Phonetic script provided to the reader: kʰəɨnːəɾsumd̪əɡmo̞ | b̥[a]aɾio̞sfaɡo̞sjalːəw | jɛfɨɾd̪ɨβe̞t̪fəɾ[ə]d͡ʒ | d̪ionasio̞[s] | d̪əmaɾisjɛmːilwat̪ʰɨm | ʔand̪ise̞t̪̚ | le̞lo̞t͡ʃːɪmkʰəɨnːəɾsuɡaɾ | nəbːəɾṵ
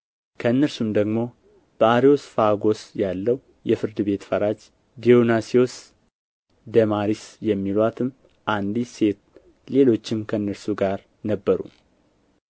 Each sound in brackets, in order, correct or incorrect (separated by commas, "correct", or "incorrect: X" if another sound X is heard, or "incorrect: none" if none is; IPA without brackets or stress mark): incorrect: ə, incorrect: a, correct